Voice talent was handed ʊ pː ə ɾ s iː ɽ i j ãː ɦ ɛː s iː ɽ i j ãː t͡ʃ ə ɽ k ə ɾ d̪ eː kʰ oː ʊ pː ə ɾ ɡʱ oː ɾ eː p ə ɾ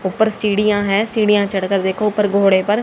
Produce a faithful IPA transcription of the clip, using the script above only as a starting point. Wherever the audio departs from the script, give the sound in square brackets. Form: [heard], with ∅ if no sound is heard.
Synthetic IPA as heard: ʊ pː ə ɾ s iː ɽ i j ãː ɦ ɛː s iː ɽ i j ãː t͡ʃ ə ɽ k ə ɾ d̪ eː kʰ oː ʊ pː ə ɾ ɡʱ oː [ɽ] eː p ə ɾ